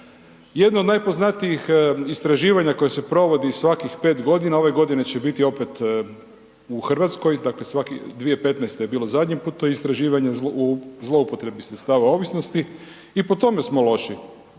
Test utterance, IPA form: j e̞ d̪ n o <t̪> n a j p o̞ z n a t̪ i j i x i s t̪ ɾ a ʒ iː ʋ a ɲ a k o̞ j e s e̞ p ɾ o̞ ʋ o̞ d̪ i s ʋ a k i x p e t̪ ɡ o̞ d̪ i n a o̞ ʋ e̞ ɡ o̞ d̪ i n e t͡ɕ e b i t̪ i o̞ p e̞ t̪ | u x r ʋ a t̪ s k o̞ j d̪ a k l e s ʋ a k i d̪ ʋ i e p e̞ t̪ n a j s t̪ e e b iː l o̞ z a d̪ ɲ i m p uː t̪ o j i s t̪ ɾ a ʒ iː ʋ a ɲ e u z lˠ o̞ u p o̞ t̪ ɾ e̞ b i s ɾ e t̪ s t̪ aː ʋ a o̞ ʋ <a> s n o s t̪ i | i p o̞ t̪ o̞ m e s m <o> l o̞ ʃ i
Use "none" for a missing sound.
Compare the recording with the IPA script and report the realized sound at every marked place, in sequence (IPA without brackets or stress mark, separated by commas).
d̪, i, o